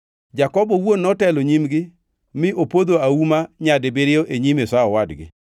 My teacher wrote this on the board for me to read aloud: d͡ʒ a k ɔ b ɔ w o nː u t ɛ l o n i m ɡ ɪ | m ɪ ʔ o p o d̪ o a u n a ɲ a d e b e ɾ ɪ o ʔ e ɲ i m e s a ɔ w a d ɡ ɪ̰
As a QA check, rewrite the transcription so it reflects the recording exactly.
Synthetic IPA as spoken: d͡ʒ a k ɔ b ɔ w o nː ɔ t ɛ l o ɲ i m ɡ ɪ | m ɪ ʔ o p o d̪ o a u m a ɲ a d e b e ɾ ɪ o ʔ e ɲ i m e s a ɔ w a d ɡ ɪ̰

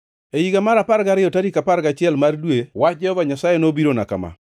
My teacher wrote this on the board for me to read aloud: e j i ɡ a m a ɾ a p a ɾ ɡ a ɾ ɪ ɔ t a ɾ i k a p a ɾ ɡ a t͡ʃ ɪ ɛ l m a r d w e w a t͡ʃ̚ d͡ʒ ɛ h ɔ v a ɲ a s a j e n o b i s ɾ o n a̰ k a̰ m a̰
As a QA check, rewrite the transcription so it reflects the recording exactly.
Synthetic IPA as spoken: e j i ɡ a m a ɾ a p a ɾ ɡ a ɾ ɪ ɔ t a ɾ i k a p a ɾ ɡ a t͡ʃ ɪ ɛ l m a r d w e w a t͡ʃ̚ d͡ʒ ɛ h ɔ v a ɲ a s a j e n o b i ɾ o n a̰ k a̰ m a̰

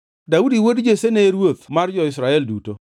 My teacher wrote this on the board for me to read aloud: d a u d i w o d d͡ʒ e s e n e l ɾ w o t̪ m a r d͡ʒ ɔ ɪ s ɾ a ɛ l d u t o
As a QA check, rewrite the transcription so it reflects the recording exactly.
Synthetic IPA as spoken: d a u d i w o d d͡ʒ e s e n e ɾ w o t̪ m a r d͡ʒ ɔ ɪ s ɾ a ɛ l d u t o

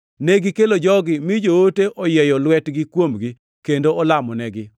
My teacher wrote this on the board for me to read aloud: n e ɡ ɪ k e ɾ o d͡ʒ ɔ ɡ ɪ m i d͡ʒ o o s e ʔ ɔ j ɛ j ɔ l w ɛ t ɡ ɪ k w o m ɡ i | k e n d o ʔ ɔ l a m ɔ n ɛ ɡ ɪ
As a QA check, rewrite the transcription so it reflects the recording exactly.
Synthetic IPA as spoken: n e ɡ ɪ k e l o d͡ʒ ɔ ɡ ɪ m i d͡ʒ o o t e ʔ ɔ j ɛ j ɔ l w ɛ t ɡ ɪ k w o m ɡ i | k e n d o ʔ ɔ l a m ɔ n ɛ ɡ ɪ

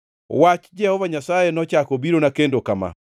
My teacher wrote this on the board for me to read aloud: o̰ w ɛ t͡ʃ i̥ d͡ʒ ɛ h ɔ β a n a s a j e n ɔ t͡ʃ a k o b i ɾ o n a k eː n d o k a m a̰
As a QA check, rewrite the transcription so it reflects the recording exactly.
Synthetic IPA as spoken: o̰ w a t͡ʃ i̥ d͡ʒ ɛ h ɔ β a ɲ a s a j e n ɔ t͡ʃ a k o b i ɾ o n a k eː n d o k a m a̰

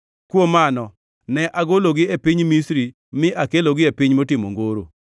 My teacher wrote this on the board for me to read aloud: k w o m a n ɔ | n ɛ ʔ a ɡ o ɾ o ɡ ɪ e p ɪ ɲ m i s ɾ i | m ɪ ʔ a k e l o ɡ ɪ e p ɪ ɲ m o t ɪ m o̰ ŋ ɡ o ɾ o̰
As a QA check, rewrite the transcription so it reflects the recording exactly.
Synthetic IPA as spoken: k w o m a n ɔ | n ɛ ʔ a ɡ o l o ɡ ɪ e p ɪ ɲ m i s ɾ i | m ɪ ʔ a k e l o ɡ ɪ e p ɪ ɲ m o t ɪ m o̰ ŋ ɡ o ɾ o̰

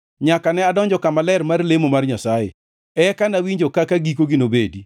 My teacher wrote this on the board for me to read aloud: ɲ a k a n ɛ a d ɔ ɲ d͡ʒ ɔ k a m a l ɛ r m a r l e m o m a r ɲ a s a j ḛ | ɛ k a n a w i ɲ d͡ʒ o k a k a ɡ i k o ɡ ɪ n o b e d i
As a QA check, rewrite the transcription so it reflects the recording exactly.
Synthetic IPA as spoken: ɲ a k a n ɛ a d ɔ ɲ d͡ʒ ɔ k a m a l ɛ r m a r l e m o m a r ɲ a s a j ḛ | ɛ k a n a w i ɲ d͡ʒ o k a k a ɡ i k o ɡ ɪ n o b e d i

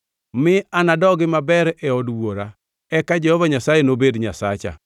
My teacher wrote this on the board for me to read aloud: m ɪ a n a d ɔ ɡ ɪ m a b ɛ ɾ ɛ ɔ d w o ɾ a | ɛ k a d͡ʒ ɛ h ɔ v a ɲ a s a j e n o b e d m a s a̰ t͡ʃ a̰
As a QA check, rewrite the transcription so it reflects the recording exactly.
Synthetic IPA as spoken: m ɪ a n a d ɔ ɡ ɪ m a b ɛ ɾ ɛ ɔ d w o ɾ a | ɛ k a d͡ʒ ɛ h ɔ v a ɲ a s a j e n o b e d ɲ a s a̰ t͡ʃ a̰

